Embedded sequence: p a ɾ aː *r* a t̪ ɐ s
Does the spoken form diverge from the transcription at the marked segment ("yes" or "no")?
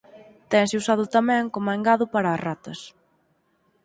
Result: no